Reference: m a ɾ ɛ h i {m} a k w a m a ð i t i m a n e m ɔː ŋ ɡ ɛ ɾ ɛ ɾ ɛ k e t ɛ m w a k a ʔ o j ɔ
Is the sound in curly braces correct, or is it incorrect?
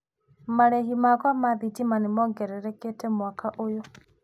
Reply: correct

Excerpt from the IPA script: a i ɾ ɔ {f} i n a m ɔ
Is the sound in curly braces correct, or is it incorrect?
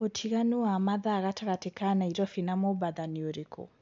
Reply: correct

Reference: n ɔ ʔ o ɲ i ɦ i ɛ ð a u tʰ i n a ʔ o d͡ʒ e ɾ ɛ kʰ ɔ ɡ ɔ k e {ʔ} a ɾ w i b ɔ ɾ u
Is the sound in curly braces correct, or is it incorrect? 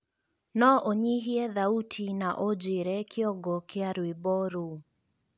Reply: incorrect: none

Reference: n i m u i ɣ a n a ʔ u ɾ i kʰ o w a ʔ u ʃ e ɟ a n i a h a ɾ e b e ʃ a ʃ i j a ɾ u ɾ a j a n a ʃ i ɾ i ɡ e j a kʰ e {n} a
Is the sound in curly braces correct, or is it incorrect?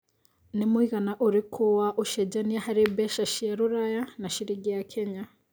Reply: incorrect: ɲ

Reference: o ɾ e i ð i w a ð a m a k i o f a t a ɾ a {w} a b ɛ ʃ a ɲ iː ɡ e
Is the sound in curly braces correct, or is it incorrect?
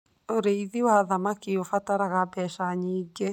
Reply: incorrect: ɣ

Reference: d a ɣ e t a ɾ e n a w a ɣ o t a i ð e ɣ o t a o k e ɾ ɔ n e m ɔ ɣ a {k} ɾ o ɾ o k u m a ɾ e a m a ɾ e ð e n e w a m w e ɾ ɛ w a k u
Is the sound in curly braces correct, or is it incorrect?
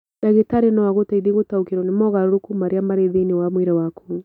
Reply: incorrect: none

